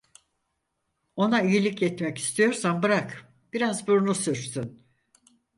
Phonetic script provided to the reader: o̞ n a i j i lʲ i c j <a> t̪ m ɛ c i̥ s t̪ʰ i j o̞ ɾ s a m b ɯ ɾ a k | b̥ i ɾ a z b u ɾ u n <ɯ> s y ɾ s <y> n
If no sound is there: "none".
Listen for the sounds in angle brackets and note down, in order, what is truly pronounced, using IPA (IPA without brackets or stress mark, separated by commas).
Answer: ɛ, u, y